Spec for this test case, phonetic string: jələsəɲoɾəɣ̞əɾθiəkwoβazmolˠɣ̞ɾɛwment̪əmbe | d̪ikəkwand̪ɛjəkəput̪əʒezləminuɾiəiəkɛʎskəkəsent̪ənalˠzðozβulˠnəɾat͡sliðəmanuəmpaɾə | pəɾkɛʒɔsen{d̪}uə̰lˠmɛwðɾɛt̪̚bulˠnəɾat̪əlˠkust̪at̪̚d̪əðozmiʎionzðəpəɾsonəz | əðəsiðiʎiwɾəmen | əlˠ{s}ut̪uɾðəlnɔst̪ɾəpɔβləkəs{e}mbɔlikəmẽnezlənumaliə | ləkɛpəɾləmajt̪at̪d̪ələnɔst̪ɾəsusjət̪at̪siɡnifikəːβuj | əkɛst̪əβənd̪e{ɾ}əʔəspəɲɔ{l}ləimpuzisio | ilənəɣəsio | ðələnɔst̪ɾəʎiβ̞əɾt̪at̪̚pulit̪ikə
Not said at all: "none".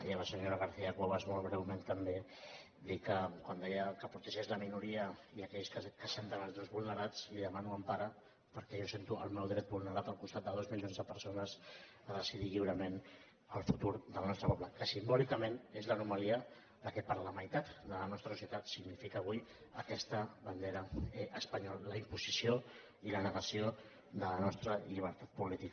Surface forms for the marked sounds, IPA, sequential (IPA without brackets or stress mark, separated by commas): t̪, f, i, ɾ, l